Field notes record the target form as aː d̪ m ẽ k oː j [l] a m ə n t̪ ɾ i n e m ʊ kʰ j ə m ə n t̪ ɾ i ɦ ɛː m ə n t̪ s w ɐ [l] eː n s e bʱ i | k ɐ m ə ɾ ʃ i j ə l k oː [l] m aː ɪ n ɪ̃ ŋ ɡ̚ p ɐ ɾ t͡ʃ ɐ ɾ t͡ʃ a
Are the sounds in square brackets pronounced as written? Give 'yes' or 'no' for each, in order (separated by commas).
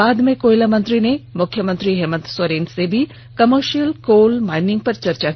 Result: yes, no, yes